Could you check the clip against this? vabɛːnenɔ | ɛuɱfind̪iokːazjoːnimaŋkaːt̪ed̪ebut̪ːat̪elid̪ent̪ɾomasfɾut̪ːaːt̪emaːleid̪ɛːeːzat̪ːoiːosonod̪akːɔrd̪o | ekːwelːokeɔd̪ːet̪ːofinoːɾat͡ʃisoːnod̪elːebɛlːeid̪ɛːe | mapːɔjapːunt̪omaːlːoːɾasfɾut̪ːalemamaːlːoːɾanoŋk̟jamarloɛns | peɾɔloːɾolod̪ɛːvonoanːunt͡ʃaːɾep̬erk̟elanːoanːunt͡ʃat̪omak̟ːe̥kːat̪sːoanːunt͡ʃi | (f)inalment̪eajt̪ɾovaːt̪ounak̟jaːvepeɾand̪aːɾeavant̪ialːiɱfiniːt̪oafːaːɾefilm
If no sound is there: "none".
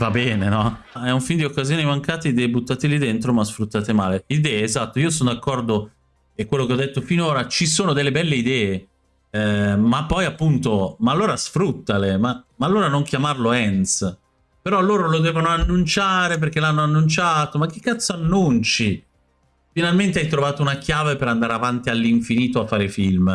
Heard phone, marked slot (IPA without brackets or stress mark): f